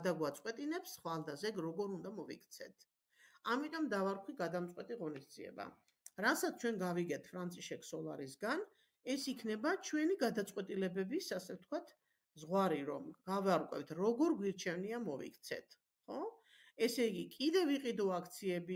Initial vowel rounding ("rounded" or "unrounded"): unrounded